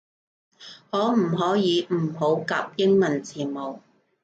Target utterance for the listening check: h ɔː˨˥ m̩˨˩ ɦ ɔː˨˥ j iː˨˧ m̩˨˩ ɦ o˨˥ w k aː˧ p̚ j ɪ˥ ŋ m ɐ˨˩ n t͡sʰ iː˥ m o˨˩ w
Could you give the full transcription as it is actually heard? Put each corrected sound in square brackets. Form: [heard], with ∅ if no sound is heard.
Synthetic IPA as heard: h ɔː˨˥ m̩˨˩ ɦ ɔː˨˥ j iː˨˧ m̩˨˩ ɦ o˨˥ w k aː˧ p̚ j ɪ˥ ŋ m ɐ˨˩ n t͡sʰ [iː˨˩] m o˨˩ w